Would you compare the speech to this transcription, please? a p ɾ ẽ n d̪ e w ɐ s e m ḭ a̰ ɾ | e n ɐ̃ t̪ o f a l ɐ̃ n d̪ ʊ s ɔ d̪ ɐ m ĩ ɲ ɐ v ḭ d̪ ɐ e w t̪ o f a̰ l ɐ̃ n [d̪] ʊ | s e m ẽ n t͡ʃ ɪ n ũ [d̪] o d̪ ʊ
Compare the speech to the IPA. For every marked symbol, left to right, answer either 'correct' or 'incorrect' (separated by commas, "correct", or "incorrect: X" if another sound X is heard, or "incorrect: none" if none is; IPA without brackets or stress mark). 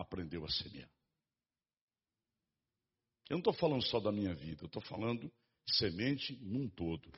correct, incorrect: t̪